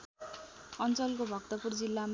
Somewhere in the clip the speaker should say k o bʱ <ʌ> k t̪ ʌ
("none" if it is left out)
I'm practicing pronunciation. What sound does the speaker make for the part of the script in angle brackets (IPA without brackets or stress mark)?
ʌ